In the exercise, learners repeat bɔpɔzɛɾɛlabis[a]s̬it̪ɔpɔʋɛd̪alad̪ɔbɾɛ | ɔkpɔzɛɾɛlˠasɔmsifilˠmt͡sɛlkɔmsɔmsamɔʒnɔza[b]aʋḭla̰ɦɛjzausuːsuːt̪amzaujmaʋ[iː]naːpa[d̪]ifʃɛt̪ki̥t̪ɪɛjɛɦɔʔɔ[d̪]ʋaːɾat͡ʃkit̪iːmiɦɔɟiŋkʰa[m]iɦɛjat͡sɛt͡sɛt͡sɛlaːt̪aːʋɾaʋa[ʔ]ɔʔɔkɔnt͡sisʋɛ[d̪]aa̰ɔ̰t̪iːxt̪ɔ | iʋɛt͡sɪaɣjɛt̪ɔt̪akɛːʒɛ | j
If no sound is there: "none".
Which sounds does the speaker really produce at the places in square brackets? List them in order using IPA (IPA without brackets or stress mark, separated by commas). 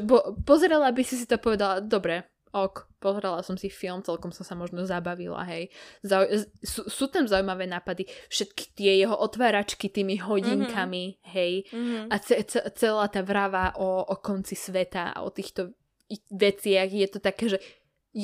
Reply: i, b, ɛː, d̪, t̪, m, ʔ, t̪